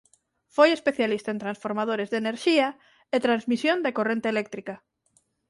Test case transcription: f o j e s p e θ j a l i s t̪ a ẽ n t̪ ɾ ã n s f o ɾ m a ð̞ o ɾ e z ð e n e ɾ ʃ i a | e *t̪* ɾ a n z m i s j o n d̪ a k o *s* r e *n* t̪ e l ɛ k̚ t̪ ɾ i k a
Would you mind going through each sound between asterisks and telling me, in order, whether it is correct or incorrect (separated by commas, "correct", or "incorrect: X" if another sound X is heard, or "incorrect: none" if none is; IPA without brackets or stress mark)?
correct, incorrect: none, correct